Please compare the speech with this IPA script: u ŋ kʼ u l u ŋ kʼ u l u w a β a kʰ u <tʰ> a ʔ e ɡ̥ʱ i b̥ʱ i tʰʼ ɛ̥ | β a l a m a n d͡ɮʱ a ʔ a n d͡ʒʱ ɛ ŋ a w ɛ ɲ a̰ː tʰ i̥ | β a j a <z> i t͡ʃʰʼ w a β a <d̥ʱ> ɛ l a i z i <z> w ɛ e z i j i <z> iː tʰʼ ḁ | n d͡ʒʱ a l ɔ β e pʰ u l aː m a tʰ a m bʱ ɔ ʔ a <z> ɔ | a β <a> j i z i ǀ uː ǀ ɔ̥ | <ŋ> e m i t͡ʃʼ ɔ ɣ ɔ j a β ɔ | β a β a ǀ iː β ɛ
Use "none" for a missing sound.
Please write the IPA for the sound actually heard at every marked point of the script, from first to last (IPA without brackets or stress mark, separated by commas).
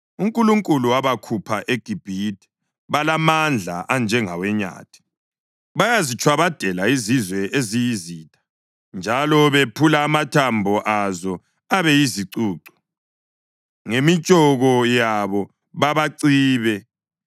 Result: pʰ, z, d̥ʱ, z, z, z, ɛ, ŋ